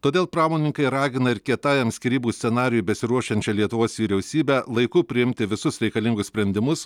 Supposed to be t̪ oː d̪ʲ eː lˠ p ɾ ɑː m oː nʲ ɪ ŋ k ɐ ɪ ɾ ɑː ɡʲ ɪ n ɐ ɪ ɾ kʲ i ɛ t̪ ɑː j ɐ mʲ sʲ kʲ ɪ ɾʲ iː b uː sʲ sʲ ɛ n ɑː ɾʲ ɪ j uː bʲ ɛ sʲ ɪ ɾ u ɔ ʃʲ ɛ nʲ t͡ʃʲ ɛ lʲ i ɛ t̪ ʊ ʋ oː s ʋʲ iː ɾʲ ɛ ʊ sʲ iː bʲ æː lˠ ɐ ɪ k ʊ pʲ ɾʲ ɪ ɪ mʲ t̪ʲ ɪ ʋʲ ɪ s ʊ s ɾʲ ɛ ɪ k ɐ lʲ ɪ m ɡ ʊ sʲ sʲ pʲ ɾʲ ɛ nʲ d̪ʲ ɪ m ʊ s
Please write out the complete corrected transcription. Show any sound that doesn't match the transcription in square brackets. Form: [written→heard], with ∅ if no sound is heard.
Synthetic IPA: t̪ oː d̪ʲ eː lˠ p ɾ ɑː m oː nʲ ɪ ŋ k ɐ ɪ ɾ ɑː ɡʲ ɪ n ɐ ɪ ɾ kʲ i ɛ t̪ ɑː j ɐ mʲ sʲ kʲ ɪ ɾʲ iː b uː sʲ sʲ ɛ n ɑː ɾʲ ɪ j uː bʲ ɛ sʲ ɪ ɾ u ɔ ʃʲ ɛ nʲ t͡ʃʲ ɛ lʲ i ɛ t̪ ʊ ʋ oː s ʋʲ iː ɾʲ ɛ ʊ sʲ iː bʲ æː lˠ ɐ ɪ k ʊ pʲ ɾʲ ɪ ɪ mʲ t̪ʲ ɪ ʋʲ ɪ s ʊ s ɾʲ ɛ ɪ k ɐ lʲ ɪ [m→ŋ] ɡ ʊ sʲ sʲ pʲ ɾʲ ɛ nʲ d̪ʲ ɪ m ʊ s

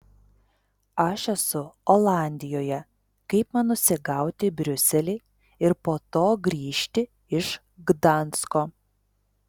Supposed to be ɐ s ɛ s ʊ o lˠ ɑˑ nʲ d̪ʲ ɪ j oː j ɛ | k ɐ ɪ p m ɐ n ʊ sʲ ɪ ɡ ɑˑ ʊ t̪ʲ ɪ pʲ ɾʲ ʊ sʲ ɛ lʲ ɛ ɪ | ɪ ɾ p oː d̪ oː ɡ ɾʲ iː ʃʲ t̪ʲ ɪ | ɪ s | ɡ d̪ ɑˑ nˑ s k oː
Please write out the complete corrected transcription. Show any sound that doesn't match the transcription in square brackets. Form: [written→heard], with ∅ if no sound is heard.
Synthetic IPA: ɐ [s→ʃ] ɛ s ʊ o lˠ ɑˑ nʲ d̪ʲ ɪ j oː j ɛ | k ɐ ɪ p m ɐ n ʊ sʲ ɪ ɡ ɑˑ ʊ t̪ʲ ɪ [pʲ→bʲ] ɾʲ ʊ sʲ ɛ lʲ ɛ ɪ | ɪ ɾ p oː [d̪→t̪] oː ɡ ɾʲ iː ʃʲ t̪ʲ ɪ | ɪ [s→ʃ] | ɡ d̪ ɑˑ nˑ s k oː

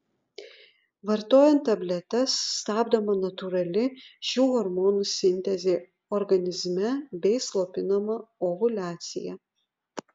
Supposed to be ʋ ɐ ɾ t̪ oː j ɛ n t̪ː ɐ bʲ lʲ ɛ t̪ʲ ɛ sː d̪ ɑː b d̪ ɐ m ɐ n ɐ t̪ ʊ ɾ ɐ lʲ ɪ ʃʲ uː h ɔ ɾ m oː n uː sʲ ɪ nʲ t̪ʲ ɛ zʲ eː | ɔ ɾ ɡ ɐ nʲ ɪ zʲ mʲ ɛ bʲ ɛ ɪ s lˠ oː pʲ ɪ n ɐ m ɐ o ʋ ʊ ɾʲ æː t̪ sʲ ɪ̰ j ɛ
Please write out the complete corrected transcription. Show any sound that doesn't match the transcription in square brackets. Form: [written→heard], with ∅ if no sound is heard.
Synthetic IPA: ʋ ɐ ɾ t̪ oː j ɛ n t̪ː ɐ bʲ lʲ ɛ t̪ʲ ɛ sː [d̪→t̪] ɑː b d̪ ɐ m ɐ n ɐ t̪ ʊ ɾ ɐ lʲ ɪ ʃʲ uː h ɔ ɾ m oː n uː sʲ ɪ nʲ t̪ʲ ɛ zʲ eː | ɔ ɾ ɡ ɐ nʲ ɪ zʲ mʲ ɛ bʲ ɛ ɪ s lˠ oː pʲ ɪ n ɐ m ɐ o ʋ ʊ [ɾʲ→lʲ] æː t̪ sʲ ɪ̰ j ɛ

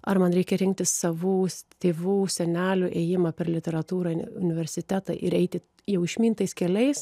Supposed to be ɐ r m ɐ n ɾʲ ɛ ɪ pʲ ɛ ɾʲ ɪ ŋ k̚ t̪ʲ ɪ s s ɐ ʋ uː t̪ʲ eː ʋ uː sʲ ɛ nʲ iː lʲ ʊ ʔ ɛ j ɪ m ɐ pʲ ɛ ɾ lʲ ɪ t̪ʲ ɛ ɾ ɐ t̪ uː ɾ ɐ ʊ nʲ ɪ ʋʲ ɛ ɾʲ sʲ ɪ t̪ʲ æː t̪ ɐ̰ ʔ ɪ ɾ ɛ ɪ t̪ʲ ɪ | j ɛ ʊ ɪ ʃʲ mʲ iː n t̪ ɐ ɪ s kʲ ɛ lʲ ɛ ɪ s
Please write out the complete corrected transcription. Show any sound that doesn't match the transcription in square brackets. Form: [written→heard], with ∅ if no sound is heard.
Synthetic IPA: ɐ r m ɐ n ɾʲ ɛ ɪ [pʲ→kʲ] ɛ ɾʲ ɪ ŋ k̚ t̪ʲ ɪ s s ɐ ʋ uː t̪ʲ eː ʋ uː sʲ ɛ nʲ [iː→æː] lʲ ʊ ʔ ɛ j ɪ m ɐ pʲ ɛ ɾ lʲ ɪ t̪ʲ ɛ ɾ ɐ t̪ uː ɾ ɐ ʊ nʲ ɪ ʋʲ ɛ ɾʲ sʲ ɪ t̪ʲ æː t̪ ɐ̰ ʔ ɪ ɾ ɛ ɪ t̪ʲ ɪ | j ɛ ʊ ɪ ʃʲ mʲ iː n t̪ ɐ ɪ s kʲ ɛ lʲ ɛ ɪ s

